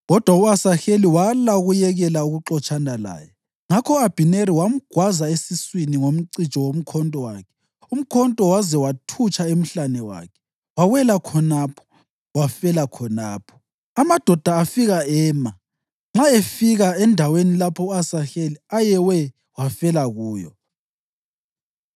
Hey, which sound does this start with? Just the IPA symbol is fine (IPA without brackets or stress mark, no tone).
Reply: ɣ